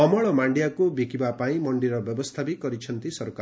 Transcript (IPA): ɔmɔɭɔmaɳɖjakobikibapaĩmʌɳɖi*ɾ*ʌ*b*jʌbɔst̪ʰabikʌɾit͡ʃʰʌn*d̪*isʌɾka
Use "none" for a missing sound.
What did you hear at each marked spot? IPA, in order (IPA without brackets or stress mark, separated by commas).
ɾ, b, t̪